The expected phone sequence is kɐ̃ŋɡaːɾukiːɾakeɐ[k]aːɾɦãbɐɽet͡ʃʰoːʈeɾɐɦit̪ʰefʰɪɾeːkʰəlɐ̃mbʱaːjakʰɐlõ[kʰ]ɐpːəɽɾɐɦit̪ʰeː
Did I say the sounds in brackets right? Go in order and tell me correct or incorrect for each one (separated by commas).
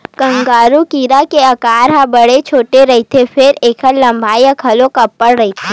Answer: correct, incorrect